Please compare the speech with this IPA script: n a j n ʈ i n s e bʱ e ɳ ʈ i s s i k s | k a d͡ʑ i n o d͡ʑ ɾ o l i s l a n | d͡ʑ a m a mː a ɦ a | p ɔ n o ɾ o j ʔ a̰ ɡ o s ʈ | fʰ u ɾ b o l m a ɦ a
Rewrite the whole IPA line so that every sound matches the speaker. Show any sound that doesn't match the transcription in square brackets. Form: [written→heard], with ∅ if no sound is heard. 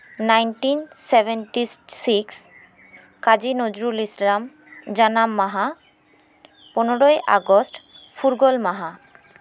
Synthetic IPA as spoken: n a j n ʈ i n s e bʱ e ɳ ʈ i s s i k s | k a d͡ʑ i n o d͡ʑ ɾ [o→u] l i s l a [n→m] | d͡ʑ a [m→n] a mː a ɦ a | p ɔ n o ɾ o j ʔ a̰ ɡ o s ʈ | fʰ u ɾ [b→ɡ] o l m a ɦ a